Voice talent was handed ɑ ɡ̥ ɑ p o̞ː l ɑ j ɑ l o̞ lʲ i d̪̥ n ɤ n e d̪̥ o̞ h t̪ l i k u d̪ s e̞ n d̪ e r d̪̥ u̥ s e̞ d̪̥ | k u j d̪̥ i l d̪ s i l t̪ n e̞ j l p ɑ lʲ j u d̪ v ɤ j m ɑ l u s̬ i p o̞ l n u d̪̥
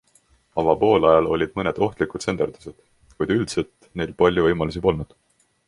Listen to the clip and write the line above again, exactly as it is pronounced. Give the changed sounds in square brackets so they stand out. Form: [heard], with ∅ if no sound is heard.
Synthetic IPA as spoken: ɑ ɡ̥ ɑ p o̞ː l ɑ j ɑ l o̞ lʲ i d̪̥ [m] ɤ n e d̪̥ o̞ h t̪ l i k u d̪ s e̞ n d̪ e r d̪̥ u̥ s e̞ d̪̥ | k u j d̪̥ [y] l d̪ s [e] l t̪ n e̞ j l p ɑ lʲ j u [∅] v ɤ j m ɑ l u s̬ i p o̞ l n u d̪̥